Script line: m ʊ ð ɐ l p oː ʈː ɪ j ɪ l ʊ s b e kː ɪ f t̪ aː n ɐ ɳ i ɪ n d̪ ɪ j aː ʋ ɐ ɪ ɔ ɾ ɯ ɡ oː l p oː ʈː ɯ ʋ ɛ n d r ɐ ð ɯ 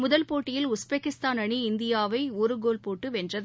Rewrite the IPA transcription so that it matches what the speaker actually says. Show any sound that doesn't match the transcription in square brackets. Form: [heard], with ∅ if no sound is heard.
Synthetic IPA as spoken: m ʊ ð ɐ l p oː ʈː ɪ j ɪ l ʊ s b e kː ɪ [s] t̪ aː n ɐ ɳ i ɪ n d̪ ɪ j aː ʋ ɐ ɪ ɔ ɾ ɯ ɡ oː l p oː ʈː ɯ ʋ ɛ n d r ɐ ð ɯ